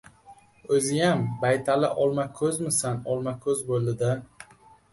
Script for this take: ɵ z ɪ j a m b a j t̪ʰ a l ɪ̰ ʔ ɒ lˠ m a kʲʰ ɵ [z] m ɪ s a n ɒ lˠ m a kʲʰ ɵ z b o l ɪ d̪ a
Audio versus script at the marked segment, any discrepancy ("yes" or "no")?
no